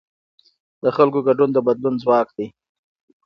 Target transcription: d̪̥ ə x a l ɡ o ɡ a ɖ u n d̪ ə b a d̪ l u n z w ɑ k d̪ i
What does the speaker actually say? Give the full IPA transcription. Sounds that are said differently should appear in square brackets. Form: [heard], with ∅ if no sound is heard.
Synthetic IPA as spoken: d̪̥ ə x a l [k] o ɡ a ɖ u n d̪ ə b a d̪ l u n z w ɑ k d̪ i